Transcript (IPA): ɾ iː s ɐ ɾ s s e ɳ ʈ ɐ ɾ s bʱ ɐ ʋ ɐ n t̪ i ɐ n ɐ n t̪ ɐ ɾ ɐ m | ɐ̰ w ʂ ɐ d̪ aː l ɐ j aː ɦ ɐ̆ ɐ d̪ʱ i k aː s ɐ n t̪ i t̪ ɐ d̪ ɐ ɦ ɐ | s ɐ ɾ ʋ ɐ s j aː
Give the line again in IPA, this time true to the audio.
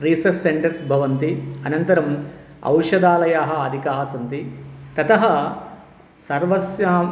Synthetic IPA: ɾ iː s ɐ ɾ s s e ɳ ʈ ɐ ɾ s bʱ ɐ ʋ ɐ n t̪ i ɐ n ɐ n t̪ ɐ ɾ ɐ m | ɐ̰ w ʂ ɐ d̪ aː l ɐ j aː ɦ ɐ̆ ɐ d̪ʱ i k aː s ɐ n t̪ i t̪ ɐ t̪ ɐ ɦ ɐ | s ɐ ɾ ʋ ɐ s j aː